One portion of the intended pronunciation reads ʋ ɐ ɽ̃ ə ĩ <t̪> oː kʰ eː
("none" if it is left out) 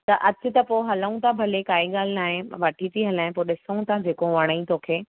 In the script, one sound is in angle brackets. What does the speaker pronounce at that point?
t̪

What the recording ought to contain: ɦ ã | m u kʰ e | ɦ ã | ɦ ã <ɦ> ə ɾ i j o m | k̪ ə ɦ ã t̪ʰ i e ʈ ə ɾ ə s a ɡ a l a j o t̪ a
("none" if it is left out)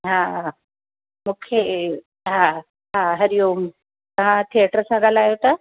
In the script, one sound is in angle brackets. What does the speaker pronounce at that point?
ɦ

